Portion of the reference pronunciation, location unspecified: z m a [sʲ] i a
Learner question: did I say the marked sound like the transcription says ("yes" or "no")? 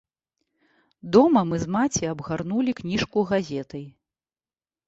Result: no